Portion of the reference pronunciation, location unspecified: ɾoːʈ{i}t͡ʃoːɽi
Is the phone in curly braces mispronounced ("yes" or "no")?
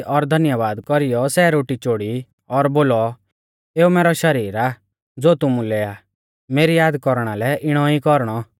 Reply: no